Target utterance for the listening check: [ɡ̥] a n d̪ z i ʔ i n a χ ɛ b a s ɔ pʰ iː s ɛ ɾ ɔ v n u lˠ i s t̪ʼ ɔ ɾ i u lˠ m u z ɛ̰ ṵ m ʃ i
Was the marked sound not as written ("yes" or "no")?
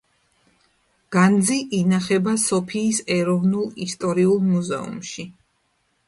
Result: no